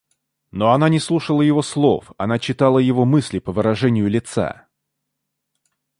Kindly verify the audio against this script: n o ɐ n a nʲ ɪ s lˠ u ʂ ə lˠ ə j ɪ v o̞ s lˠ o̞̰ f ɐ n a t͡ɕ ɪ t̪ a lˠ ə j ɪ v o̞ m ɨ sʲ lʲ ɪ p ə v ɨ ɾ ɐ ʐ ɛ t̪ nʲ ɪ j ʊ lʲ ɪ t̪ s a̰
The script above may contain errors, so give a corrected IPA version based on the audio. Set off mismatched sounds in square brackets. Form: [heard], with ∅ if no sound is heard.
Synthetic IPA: n o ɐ n a nʲ ɪ s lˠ u ʂ ə lˠ ə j ɪ v o̞ s lˠ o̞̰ f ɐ n a t͡ɕ ɪ t̪ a lˠ ə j ɪ v o̞ m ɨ sʲ lʲ ɪ p ə v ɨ ɾ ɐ ʐ ɛ [∅] nʲ ɪ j ʊ lʲ ɪ t̪ s a̰